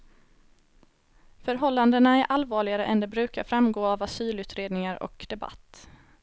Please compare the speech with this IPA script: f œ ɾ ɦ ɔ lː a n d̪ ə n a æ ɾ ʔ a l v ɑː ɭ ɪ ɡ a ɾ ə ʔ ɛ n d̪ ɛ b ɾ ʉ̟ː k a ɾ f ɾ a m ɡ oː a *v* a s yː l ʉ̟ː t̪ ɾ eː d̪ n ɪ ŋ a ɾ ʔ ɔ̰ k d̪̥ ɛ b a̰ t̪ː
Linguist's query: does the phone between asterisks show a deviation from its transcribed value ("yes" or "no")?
no